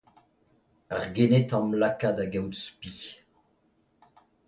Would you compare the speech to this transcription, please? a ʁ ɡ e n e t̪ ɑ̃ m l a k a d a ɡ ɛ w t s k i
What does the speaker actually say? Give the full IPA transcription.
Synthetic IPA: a ʁ ɡ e n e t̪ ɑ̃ m l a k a d a ɡ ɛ w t s p i